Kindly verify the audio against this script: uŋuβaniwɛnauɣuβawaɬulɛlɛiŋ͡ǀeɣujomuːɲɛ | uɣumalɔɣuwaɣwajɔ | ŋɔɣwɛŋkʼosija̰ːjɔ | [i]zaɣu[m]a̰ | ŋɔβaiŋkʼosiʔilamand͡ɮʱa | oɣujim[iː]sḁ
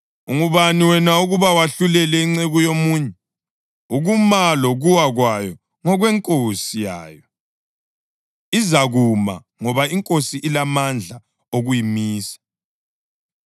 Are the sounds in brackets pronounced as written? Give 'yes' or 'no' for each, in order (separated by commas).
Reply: yes, yes, yes